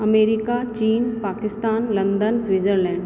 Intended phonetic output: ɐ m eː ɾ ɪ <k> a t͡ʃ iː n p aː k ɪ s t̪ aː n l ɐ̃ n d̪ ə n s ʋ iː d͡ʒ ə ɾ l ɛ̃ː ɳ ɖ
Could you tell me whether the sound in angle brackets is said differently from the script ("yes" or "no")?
no